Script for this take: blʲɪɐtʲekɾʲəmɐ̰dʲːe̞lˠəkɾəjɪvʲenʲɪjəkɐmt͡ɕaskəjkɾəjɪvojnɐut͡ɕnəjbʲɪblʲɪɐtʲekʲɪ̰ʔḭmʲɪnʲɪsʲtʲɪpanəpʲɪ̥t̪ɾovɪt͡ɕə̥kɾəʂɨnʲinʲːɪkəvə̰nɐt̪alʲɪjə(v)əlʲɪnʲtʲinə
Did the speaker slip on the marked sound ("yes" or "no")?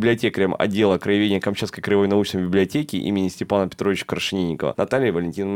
no